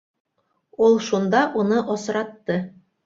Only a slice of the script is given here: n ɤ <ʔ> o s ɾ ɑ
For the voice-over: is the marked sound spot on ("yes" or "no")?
yes